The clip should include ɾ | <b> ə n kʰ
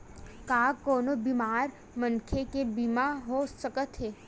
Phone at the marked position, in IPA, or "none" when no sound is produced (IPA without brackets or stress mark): m